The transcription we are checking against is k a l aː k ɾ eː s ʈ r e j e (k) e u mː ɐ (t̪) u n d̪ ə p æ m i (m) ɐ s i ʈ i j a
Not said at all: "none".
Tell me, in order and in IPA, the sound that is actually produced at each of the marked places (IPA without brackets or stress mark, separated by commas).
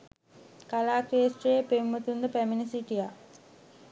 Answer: p, t̪, n